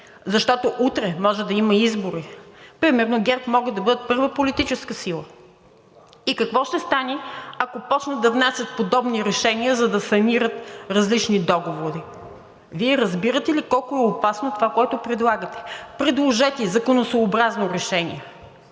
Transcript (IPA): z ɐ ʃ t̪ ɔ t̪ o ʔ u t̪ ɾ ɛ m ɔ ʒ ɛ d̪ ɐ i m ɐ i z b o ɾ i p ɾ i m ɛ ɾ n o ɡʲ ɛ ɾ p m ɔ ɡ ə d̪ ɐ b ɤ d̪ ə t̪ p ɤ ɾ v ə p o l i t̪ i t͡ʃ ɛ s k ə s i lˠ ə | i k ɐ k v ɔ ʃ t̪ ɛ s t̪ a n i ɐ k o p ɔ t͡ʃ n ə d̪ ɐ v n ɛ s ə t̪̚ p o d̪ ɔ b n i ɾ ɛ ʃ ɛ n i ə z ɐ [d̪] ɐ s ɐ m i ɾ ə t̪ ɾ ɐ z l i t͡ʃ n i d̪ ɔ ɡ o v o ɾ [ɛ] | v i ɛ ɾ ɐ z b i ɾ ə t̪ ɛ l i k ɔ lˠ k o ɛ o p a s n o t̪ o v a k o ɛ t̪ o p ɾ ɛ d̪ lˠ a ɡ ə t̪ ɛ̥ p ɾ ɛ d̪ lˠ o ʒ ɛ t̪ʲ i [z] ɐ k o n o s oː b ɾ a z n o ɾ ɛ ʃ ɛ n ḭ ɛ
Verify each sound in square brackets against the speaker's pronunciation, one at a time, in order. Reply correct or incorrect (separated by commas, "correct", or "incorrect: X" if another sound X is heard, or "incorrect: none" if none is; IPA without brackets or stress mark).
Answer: correct, incorrect: i, correct